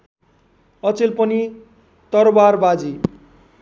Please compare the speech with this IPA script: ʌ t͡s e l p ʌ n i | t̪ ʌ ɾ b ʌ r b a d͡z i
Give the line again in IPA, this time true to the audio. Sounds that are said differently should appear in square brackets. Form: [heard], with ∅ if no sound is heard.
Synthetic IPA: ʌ t͡s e l p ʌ n i | t̪ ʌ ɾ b [a] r b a d͡z i